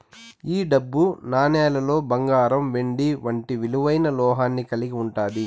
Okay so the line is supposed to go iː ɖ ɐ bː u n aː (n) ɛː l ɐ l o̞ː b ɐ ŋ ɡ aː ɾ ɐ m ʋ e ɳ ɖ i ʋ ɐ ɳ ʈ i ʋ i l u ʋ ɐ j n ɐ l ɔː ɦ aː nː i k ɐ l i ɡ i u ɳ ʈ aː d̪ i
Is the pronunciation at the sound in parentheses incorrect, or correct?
correct